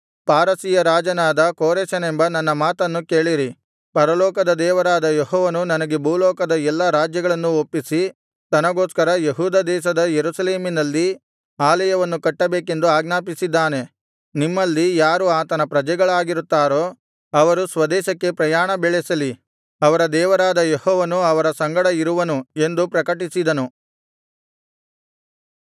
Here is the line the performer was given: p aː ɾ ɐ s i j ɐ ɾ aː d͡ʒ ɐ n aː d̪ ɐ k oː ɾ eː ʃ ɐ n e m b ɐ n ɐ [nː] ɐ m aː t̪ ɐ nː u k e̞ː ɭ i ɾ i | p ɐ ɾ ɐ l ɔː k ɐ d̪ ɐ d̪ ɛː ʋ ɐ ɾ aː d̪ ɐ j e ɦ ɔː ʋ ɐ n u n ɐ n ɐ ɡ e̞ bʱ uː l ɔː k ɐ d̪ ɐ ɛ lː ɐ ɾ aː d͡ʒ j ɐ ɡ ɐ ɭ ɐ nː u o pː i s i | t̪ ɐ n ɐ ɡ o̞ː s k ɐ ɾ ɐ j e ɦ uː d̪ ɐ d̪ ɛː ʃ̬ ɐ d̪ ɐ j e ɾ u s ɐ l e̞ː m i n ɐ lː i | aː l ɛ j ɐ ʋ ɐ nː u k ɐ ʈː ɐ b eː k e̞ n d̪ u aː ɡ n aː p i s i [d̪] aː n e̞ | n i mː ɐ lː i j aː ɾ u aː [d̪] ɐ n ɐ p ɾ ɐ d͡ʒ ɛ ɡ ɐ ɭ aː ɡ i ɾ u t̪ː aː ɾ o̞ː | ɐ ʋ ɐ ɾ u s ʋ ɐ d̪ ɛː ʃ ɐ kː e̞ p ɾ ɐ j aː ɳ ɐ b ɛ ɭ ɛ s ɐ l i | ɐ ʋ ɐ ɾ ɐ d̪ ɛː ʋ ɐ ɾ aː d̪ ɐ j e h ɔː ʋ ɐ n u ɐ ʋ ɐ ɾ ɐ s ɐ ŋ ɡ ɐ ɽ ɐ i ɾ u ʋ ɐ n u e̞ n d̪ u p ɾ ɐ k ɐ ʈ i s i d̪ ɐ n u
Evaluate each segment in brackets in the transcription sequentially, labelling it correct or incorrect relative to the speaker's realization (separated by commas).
correct, incorrect, incorrect